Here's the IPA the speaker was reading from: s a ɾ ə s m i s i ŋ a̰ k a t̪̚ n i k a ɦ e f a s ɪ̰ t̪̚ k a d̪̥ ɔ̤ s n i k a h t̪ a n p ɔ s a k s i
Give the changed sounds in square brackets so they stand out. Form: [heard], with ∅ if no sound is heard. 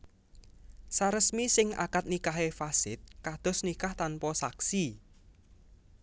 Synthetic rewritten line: s a ɾ ə s m i s [ɪ] ŋ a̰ k a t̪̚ n i k a ɦ e f a s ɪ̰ t̪̚ k a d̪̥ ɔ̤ s n i k a h t̪ a n p ɔ s a k s i